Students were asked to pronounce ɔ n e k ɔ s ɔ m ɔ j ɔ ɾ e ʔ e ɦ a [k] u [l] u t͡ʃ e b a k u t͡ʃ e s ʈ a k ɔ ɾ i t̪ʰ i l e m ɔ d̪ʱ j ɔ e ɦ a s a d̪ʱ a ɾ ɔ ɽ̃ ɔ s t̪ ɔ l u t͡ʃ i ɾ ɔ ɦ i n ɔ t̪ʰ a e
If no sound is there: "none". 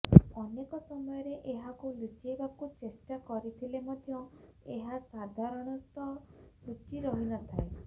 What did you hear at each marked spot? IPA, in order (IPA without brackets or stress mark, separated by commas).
k, l